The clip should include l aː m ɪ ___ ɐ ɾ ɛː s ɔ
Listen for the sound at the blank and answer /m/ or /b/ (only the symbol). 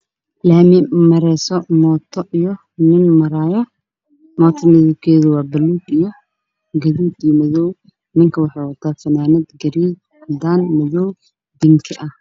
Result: m